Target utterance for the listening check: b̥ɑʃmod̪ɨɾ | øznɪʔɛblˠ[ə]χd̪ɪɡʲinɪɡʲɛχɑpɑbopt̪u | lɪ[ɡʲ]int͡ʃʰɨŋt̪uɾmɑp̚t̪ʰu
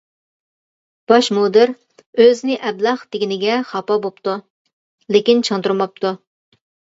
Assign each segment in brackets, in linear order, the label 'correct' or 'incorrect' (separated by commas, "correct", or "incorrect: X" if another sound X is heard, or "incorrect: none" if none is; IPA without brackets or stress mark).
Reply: incorrect: ɑ, incorrect: kʲ